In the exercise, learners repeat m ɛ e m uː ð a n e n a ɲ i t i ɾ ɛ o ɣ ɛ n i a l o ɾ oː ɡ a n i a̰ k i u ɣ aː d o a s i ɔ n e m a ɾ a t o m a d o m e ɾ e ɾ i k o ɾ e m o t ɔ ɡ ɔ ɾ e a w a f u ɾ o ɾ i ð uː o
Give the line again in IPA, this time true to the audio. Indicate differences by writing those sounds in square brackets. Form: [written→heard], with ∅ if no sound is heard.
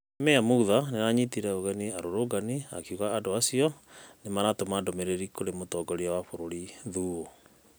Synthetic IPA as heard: m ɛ [e→a] m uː ð a n e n a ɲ i t i ɾ ɛ o ɣ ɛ n i a [l→ɾ] o ɾ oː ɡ a n i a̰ k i u ɣ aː d o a s i ɔ n e m a ɾ a t o m a d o m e ɾ e ɾ i k o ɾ e m o t ɔ ɡ ɔ ɾ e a w a f [u→o] ɾ o ɾ i ð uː o